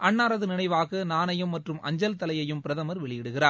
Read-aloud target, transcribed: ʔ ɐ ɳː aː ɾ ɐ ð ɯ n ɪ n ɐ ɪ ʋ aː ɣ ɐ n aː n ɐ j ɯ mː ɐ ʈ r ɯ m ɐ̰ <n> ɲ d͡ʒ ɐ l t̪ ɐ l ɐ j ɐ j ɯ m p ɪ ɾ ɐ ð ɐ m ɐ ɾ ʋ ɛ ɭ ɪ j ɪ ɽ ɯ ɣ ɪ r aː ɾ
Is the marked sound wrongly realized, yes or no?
yes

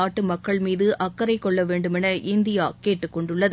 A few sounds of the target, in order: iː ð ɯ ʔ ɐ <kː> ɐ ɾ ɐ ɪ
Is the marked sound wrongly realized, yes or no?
no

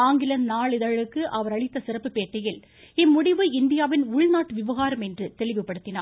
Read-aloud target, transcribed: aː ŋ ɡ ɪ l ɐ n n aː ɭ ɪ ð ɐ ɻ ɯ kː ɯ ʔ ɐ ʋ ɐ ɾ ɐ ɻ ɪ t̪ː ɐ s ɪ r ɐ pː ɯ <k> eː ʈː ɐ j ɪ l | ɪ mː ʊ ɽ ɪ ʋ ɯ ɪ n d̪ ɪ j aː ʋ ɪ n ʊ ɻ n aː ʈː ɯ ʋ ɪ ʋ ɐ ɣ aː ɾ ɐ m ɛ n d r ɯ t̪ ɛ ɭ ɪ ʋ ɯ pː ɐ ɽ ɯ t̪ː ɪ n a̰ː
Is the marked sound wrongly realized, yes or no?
yes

